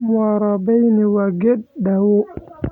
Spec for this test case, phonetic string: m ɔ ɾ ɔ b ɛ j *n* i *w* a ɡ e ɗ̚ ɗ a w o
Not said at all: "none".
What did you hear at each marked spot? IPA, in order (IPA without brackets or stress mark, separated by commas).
n, w